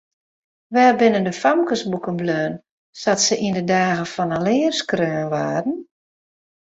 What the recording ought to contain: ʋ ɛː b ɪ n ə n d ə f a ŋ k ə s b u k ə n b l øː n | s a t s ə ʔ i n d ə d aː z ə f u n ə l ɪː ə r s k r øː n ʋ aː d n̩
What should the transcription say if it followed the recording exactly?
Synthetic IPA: ʋ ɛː b ɪ n ə n d ə f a m k ə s b u k ə n b l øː n | s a t s ə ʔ i n d ə d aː ɣ ə f ɔ n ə l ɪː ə r s k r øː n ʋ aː d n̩